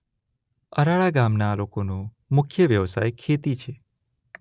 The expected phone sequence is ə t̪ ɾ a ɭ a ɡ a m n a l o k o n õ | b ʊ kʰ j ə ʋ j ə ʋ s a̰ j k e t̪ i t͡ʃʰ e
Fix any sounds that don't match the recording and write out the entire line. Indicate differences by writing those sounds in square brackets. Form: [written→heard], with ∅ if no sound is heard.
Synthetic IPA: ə [t̪→∅] ɾ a ɭ a ɡ a m n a l o k o n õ | [b→m] ʊ kʰ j ə ʋ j ə ʋ s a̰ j [k→kʰ] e t̪ i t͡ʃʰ e